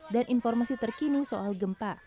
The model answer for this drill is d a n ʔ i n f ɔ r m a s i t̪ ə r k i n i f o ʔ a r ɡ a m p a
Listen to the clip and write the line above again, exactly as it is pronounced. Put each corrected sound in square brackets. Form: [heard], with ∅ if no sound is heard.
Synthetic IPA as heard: d a n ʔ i n f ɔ r m a s i t̪ ə r k i n i [s] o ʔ a [l] ɡ [ə] m p a